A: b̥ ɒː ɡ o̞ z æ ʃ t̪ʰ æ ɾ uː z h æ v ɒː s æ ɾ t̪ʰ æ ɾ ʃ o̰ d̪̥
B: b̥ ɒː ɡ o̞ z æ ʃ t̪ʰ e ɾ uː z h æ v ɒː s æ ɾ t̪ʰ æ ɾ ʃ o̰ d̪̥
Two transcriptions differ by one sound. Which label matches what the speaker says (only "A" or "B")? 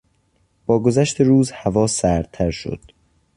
B